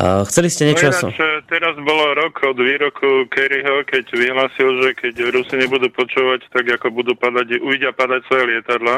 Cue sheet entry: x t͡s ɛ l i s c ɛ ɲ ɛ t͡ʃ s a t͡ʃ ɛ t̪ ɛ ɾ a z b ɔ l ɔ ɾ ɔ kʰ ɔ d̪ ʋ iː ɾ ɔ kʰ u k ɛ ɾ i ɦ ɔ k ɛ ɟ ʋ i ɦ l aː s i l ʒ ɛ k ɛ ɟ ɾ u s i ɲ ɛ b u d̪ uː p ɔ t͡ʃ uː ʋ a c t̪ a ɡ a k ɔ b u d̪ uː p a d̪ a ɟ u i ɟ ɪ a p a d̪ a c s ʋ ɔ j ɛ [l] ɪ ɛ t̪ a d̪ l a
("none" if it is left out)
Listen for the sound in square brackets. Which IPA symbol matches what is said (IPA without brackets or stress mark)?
l